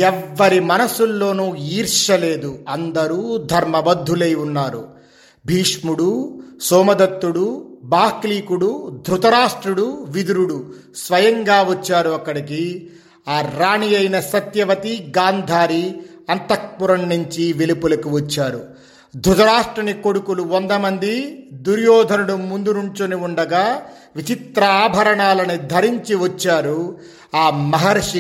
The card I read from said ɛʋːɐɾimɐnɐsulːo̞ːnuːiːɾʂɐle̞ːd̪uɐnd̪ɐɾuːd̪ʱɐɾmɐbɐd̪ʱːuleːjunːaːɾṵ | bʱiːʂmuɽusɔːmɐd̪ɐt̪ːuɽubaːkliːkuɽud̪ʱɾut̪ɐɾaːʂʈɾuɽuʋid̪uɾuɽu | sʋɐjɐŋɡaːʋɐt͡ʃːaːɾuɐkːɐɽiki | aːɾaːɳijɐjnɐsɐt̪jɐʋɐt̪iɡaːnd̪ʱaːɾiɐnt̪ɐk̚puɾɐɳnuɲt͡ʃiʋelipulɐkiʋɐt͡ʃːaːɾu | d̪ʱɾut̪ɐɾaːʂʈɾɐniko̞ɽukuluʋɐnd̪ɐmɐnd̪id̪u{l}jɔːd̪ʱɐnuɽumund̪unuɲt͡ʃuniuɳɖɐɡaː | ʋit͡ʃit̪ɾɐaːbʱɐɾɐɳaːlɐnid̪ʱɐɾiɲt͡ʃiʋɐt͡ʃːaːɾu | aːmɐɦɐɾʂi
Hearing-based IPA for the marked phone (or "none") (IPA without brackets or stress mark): ɾ